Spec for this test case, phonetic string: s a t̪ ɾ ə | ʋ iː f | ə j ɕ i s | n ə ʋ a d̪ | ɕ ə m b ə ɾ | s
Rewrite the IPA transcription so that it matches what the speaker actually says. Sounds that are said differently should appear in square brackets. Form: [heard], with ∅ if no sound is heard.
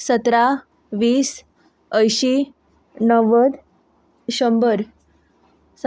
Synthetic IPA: s [ə] t̪ ɾ [a] | ʋ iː [s] | ə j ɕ i [∅] | n ə ʋ [ə] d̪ | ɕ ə m b ə ɾ | s